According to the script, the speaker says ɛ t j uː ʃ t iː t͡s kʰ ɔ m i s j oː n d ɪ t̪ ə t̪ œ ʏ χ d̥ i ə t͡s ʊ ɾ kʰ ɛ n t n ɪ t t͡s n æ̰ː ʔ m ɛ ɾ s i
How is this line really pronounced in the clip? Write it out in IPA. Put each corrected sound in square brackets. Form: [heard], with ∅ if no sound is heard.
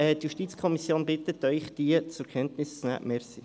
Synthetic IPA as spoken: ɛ t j [u] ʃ t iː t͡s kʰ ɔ m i s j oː n [b] ɪ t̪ ə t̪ œ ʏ χ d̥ i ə t͡s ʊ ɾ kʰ ɛ n t n ɪ [s] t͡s n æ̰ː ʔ m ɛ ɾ s i